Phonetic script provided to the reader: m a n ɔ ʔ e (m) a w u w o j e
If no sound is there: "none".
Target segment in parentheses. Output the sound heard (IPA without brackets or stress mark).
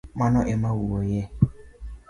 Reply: m